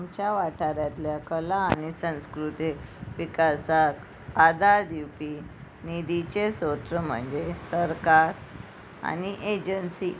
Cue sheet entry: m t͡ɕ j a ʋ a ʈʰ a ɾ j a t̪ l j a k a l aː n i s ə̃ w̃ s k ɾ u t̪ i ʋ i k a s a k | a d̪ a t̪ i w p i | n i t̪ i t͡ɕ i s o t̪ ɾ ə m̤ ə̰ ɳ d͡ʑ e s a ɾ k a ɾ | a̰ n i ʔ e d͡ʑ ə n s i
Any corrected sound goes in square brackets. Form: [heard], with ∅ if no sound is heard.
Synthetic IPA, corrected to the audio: m t͡ɕ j a ʋ a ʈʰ a ɾ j a t̪ l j a k [ə] l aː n i s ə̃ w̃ s k ɾ u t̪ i ʋ i k a s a k | a d̪ a [d̪] i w p i | n i [d̪] i t͡ɕ [e] s o t̪ ɾ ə m̤ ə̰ ɳ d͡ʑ e s [ə] ɾ k a ɾ | a̰ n i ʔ e d͡ʑ ə n s i